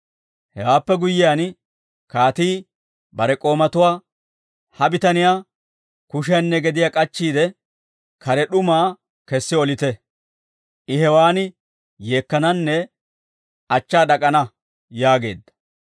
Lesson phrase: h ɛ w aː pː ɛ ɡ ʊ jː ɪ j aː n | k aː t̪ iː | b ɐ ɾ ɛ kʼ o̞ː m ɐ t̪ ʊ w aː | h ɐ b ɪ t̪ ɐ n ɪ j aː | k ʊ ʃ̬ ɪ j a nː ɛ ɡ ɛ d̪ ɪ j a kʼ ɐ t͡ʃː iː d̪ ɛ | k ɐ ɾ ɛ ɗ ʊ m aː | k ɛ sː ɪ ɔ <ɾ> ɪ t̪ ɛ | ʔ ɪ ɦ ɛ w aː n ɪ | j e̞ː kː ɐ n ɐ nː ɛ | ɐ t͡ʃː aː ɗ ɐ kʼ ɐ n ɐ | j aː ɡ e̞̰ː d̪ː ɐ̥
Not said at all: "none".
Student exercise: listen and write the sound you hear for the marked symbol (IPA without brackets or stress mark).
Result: l